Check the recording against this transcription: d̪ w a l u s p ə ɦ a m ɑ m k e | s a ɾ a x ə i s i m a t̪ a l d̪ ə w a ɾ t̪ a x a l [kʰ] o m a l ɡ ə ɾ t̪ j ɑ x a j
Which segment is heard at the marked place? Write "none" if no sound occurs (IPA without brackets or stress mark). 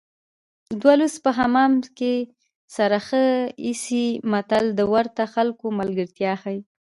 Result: k